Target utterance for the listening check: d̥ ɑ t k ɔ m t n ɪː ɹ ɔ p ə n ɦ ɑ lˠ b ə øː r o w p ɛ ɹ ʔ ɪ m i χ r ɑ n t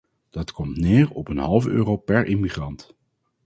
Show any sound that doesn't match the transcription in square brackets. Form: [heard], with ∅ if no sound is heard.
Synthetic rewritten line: d̥ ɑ t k ɔ m t n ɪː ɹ ɔ p ə n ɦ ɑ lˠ [v] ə øː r o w p ɛ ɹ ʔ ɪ m i χ r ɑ n t